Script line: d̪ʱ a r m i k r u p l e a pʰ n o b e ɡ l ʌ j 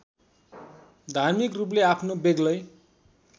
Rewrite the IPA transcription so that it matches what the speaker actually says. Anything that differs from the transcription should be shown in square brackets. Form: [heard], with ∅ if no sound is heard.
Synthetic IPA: d̪ʱ a r m i k r u p l e a pʰ n o b e ɡ l ʌ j